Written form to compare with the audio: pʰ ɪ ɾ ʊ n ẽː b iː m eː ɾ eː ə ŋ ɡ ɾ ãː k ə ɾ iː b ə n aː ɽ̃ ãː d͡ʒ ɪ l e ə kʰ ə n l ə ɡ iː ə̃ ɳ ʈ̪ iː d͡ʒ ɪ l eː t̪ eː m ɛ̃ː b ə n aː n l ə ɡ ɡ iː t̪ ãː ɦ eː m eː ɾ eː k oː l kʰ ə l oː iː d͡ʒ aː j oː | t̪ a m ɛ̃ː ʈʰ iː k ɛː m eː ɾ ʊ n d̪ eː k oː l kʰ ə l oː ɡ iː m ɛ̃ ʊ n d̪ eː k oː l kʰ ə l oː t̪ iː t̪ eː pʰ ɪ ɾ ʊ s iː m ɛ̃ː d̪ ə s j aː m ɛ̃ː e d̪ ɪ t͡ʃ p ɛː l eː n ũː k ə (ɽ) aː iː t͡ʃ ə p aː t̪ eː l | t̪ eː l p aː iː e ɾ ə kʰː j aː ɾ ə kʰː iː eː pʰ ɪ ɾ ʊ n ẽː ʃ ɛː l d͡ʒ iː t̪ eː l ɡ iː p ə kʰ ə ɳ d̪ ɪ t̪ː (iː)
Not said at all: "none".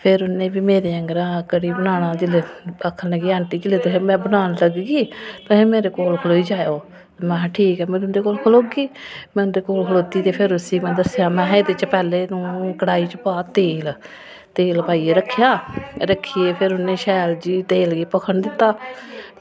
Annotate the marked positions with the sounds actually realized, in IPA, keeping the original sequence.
ɽ, aː

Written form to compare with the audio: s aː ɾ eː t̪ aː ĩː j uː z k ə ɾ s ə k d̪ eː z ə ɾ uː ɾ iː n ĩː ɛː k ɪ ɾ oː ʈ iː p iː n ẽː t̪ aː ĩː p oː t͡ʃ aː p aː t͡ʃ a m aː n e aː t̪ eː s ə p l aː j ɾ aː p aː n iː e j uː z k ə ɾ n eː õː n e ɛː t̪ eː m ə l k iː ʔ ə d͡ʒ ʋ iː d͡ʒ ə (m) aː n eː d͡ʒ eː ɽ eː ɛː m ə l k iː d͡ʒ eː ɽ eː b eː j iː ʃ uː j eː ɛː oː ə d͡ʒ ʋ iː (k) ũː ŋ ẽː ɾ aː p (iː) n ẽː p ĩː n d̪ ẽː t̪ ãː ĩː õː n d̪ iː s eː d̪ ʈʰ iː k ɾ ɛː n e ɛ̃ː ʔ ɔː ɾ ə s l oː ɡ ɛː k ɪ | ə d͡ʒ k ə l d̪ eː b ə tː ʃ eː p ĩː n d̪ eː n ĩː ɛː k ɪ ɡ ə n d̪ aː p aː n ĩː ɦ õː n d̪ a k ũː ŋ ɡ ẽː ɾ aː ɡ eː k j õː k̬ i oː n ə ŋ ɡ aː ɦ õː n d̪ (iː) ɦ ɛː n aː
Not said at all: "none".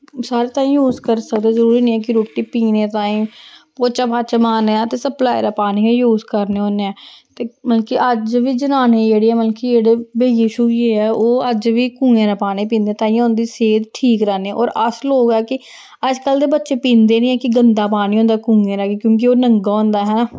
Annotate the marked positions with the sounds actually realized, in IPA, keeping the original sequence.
n, k, aː, aː

